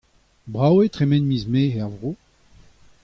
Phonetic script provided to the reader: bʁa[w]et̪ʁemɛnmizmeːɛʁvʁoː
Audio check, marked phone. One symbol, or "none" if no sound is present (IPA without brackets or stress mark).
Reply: w